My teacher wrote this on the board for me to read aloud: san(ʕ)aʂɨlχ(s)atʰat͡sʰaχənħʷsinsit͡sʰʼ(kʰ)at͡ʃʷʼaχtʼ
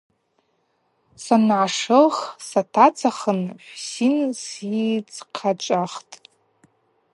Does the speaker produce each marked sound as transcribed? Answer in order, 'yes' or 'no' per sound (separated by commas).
yes, yes, no